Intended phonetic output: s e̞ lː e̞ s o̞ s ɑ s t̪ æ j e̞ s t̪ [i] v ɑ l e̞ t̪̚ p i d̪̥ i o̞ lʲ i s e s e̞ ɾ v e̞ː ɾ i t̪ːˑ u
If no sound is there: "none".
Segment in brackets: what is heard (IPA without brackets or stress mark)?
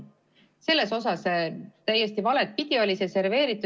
i